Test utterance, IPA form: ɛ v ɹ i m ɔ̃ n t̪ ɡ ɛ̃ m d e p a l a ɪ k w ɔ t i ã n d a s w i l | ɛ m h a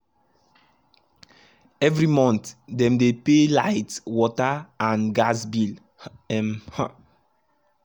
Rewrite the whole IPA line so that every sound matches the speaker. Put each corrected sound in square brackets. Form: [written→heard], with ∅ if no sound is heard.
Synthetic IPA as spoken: ɛ v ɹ i m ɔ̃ n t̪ [ɡ→d] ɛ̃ m d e p [a→e] l a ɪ [k→t] w ɔ t [i→a] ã n [d→ɡ] a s [w→b] i l | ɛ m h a